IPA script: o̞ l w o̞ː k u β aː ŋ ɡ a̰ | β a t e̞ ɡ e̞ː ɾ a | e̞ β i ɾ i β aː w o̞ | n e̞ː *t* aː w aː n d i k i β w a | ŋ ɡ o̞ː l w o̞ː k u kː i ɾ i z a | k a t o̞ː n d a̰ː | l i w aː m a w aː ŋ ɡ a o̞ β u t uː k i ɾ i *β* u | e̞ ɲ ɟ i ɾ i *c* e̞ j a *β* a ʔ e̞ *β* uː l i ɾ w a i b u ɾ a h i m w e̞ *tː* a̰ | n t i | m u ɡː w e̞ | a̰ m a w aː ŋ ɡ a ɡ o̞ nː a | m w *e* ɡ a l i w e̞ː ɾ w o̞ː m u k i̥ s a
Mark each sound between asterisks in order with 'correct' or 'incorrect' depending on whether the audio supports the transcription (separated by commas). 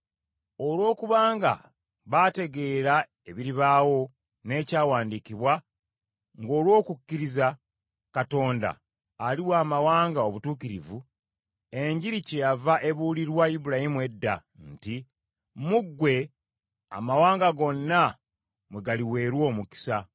incorrect, incorrect, correct, incorrect, correct, incorrect, correct